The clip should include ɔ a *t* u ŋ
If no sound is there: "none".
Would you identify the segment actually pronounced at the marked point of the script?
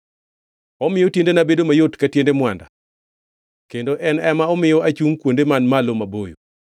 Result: t͡ʃ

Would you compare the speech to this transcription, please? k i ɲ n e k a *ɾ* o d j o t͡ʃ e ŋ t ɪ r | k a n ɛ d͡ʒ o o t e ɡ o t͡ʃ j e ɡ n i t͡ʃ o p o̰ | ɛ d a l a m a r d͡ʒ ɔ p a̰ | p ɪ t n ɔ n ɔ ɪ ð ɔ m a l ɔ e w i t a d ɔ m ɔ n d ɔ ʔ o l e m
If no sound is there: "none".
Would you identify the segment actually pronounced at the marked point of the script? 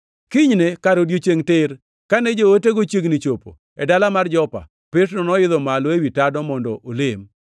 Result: ɾ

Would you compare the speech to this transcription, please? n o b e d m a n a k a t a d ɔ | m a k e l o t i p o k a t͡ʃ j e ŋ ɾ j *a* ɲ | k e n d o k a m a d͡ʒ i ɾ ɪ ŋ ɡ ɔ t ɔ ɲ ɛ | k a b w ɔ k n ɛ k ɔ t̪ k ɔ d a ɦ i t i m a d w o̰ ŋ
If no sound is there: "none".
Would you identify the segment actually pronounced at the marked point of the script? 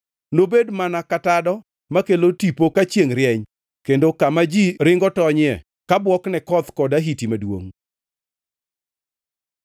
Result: ɛ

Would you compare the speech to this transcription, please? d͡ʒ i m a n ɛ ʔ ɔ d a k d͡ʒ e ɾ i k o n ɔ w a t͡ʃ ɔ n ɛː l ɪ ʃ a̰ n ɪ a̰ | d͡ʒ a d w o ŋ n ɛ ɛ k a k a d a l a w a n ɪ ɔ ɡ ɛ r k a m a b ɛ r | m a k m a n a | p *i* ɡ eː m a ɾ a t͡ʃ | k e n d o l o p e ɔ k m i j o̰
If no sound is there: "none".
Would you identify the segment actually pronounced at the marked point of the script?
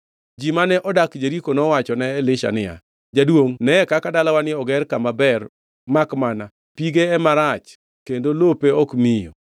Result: i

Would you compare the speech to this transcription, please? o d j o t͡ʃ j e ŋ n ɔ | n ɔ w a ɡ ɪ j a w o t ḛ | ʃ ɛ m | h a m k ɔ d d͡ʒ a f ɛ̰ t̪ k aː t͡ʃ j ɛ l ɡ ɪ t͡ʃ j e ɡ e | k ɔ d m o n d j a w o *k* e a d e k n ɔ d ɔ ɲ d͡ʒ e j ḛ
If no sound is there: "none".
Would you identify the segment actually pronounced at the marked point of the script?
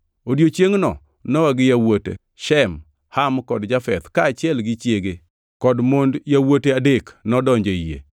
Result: t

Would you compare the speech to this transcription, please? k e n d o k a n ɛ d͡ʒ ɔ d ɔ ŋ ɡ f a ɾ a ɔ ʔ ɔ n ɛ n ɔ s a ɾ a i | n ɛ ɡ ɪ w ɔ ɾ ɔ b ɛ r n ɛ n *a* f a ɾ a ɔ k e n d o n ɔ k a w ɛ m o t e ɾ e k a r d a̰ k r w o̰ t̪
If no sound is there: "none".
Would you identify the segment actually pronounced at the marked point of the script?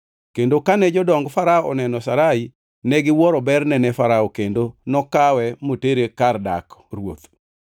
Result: ɛ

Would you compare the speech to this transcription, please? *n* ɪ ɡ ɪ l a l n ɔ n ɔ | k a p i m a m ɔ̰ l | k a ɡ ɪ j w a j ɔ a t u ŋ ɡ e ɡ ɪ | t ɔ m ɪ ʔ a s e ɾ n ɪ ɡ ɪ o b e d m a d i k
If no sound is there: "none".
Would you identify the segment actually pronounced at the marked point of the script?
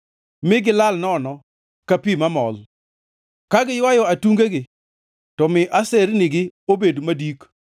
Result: m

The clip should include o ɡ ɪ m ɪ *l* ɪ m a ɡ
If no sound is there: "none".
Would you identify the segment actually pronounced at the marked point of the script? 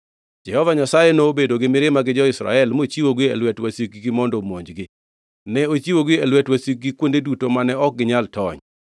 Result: ɾ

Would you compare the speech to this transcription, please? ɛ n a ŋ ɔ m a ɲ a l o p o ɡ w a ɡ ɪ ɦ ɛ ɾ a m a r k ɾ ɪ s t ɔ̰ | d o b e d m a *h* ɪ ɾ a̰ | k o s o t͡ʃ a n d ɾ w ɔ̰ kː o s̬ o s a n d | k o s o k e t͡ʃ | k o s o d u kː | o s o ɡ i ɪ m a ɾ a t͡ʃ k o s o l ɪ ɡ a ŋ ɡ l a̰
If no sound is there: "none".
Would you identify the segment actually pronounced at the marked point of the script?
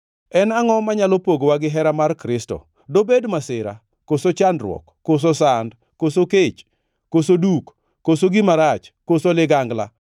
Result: s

